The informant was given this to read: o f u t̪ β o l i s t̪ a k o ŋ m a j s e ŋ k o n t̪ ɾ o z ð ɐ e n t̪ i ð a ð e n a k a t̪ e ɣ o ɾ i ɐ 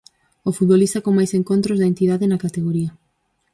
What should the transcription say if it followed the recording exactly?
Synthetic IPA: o f u t̪ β o l i s t̪ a k o ŋ m a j s e ŋ k o n t̪ ɾ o z ð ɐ e n t̪ i ð a ð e n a k a t̪ e ɣ o ɾ i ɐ